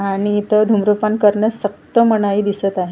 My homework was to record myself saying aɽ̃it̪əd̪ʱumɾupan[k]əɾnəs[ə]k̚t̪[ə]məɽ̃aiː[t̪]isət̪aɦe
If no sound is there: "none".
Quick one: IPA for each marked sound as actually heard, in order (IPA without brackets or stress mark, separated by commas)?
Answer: k, ə, ə, d̪